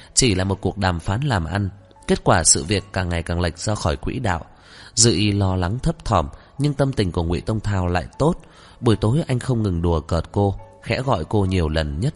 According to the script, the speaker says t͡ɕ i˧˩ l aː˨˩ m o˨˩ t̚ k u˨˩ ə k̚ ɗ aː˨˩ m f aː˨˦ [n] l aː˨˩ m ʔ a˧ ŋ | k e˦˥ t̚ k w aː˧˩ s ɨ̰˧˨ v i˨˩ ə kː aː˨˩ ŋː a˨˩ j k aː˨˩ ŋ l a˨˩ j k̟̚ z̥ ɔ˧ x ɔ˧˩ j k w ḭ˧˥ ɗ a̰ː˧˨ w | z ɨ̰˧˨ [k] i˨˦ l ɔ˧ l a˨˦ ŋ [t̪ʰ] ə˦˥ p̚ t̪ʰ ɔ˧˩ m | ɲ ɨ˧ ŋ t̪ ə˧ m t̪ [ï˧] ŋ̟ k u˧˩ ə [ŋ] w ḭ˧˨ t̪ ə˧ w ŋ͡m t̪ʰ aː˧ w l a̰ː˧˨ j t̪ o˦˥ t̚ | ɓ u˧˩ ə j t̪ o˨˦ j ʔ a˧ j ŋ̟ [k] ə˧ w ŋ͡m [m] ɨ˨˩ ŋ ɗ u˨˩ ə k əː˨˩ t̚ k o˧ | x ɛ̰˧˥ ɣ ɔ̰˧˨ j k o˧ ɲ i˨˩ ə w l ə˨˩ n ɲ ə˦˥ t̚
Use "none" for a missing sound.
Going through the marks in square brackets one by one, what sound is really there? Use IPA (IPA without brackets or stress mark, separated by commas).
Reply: n, ʔ, t̪ʰ, ï˨˩, ŋ, x, ŋ